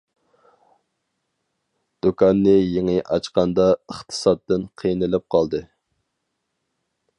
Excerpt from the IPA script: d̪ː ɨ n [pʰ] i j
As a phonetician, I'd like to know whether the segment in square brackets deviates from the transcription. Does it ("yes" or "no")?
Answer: yes